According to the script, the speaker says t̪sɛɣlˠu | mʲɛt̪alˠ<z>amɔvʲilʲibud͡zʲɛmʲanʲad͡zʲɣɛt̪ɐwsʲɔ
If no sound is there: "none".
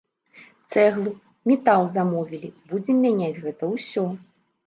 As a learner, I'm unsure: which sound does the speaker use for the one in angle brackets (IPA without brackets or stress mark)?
z